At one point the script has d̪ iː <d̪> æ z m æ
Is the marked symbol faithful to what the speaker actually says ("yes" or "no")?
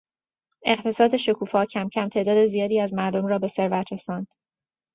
no